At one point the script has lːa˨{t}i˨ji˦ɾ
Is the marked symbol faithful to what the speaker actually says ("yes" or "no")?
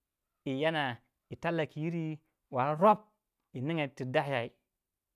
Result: no